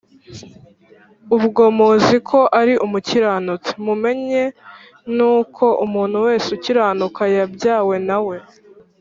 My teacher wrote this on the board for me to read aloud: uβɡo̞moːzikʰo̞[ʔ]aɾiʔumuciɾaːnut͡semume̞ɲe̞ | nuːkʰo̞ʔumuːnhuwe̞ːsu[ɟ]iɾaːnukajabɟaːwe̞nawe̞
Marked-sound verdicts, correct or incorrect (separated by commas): correct, incorrect